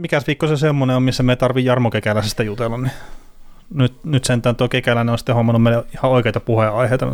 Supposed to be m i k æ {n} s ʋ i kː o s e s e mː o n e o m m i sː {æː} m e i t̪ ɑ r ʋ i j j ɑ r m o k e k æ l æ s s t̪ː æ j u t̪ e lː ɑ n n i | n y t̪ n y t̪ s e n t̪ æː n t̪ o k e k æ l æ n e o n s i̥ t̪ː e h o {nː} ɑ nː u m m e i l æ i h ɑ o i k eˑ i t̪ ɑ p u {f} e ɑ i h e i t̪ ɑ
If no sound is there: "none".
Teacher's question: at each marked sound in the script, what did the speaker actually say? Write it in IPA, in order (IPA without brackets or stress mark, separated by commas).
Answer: none, æ, mː, h